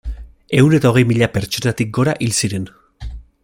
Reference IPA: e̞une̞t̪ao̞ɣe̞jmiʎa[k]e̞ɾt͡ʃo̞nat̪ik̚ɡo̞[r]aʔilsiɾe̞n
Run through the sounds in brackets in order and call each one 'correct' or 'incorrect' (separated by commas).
incorrect, incorrect